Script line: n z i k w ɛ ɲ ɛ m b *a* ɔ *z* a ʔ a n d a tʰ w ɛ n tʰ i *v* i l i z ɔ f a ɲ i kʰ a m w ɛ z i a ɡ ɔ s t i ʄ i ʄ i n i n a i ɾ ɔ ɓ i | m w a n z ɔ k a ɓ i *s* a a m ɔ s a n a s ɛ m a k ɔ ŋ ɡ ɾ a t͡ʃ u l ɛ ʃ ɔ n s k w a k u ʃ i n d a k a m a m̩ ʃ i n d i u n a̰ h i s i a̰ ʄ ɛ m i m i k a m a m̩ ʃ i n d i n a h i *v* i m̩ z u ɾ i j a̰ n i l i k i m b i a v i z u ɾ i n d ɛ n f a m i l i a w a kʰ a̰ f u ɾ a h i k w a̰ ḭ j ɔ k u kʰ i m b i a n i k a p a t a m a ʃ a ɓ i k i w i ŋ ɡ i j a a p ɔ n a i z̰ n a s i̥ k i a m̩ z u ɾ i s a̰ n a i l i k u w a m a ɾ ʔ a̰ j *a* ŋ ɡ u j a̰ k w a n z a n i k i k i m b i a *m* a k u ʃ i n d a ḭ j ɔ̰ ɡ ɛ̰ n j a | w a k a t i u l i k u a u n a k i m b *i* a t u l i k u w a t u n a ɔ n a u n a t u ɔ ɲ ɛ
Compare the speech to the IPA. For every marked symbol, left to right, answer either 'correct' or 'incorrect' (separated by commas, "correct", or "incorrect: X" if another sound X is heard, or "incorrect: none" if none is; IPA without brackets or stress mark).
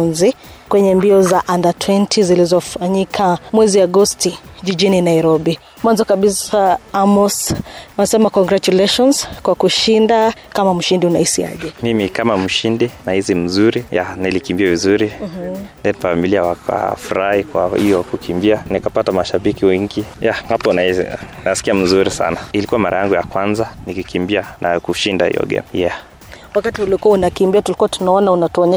incorrect: i, correct, incorrect: z, correct, incorrect: z, correct, incorrect: n, correct